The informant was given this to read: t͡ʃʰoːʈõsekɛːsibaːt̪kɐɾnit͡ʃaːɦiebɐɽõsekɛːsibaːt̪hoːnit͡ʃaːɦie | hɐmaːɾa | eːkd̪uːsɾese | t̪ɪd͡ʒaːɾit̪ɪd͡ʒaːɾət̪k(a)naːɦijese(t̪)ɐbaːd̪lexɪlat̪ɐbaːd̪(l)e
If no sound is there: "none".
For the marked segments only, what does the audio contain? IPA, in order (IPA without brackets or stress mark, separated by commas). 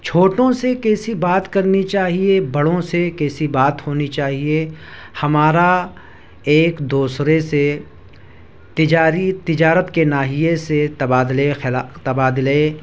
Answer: e, t̪, l